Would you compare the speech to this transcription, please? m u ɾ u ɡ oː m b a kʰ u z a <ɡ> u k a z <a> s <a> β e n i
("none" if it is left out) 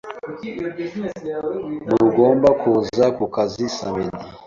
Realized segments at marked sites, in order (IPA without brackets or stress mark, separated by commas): k, i, a